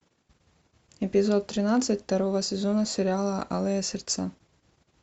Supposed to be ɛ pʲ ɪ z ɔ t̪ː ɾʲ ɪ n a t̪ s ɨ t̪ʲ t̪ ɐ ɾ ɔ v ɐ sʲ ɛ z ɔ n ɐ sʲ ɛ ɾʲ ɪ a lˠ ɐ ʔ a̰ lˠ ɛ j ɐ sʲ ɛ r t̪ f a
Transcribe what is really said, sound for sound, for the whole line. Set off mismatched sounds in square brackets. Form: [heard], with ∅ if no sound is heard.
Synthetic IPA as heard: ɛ pʲ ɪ z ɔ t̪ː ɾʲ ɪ n a t̪ s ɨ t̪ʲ t̪ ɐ ɾ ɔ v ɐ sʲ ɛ z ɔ n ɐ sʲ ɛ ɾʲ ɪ a lˠ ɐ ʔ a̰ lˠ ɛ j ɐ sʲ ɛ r t̪ [s] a